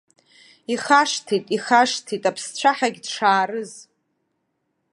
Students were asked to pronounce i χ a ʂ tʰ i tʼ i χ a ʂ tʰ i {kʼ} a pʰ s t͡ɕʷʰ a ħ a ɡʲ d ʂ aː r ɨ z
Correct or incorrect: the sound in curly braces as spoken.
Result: incorrect: tʼ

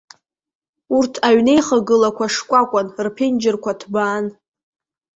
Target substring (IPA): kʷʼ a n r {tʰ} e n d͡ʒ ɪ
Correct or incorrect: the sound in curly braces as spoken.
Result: incorrect: pʰ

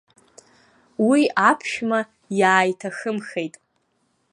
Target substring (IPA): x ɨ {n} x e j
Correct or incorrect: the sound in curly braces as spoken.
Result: incorrect: m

